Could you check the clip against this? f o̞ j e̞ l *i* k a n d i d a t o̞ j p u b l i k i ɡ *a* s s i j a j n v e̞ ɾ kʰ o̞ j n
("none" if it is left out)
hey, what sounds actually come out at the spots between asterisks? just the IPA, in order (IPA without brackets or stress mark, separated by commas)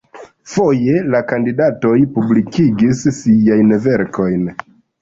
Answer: a, i